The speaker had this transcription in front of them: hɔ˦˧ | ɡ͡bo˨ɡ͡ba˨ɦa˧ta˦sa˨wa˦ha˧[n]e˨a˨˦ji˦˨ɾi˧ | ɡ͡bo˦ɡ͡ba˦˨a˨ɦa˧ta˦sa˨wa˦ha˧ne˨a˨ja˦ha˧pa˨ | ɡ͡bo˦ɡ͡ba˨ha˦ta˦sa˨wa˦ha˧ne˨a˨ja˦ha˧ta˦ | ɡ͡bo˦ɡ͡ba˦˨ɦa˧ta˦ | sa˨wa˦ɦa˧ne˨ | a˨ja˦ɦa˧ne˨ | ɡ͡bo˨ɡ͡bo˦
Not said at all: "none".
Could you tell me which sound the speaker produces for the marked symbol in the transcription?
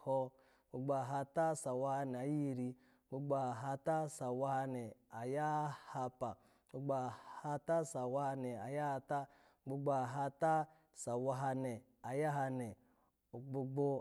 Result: n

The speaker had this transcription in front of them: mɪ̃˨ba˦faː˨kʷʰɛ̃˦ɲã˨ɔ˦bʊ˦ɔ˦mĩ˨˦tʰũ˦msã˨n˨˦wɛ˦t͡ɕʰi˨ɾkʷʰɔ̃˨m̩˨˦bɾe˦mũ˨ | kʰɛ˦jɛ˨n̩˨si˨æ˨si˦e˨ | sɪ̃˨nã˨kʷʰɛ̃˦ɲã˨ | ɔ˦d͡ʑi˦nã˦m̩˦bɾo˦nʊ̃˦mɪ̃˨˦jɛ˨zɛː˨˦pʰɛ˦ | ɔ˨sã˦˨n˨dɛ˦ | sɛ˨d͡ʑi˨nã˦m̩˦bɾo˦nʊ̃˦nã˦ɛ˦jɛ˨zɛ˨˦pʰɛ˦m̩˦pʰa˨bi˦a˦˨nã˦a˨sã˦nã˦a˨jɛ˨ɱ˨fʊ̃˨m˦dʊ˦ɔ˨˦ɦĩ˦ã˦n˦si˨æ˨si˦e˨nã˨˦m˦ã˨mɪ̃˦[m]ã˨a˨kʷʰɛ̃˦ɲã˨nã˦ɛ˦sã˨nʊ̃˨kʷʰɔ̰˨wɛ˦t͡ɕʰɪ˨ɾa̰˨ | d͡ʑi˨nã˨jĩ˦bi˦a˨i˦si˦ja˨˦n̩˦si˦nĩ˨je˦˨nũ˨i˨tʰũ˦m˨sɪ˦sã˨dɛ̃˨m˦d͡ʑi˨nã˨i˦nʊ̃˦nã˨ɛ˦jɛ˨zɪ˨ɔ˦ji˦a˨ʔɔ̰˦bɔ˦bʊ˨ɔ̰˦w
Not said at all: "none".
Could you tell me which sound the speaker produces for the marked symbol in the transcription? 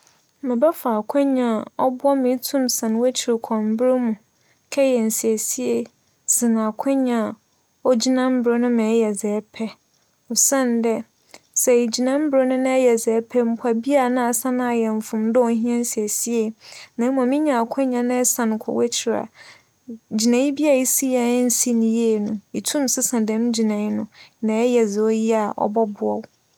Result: ɲ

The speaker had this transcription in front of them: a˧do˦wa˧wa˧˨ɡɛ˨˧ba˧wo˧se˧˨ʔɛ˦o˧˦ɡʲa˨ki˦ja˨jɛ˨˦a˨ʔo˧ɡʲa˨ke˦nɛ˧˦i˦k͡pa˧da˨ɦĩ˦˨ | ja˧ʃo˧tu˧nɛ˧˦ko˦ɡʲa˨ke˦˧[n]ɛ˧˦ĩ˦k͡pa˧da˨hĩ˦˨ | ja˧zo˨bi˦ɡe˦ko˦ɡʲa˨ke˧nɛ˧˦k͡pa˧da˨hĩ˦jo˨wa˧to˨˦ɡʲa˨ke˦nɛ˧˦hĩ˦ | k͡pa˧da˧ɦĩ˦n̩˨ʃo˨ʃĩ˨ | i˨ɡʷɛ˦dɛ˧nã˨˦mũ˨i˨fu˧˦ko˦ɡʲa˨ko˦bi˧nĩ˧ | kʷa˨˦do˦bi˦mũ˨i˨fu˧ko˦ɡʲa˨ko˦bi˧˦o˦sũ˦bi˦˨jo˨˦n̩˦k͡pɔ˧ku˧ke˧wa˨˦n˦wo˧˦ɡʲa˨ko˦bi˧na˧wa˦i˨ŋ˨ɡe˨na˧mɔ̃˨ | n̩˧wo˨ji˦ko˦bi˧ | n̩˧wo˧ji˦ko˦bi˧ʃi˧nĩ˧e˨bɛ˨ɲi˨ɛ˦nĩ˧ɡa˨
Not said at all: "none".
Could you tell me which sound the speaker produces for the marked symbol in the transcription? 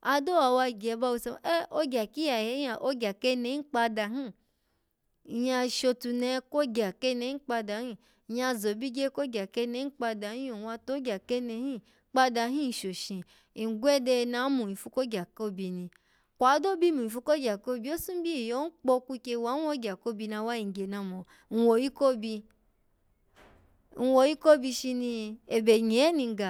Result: n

